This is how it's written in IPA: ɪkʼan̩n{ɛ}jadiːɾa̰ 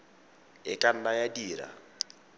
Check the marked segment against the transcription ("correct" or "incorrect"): incorrect